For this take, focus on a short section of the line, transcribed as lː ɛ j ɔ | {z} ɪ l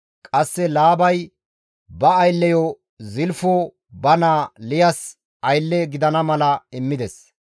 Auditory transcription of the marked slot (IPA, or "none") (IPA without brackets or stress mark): z